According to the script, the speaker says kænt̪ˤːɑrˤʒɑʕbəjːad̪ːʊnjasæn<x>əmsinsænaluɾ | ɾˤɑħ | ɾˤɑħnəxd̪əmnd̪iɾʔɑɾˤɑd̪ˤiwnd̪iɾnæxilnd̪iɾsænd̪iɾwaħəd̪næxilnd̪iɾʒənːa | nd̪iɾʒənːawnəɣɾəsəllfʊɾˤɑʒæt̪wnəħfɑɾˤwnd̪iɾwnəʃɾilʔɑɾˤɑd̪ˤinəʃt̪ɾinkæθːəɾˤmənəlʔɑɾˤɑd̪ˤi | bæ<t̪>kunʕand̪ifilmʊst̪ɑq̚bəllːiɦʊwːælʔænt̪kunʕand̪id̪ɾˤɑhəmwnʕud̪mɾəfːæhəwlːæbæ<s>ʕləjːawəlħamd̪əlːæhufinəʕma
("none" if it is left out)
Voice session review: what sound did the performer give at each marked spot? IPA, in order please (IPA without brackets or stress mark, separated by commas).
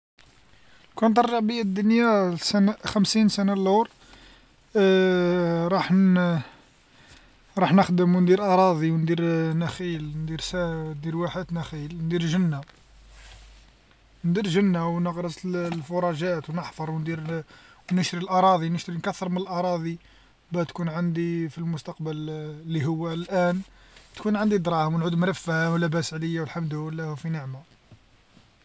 x, t̪, s